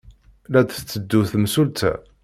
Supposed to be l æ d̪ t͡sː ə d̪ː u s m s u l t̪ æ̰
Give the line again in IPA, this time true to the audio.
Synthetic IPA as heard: l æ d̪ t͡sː ə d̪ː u θ m s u l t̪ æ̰